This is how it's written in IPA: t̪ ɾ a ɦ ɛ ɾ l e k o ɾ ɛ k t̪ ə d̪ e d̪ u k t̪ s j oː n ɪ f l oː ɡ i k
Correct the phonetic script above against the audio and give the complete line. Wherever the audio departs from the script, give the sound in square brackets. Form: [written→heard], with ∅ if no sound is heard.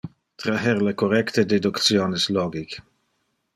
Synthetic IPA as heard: t̪ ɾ a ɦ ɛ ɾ l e k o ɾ ɛ k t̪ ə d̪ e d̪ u k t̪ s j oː n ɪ [f→s] l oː ɡ i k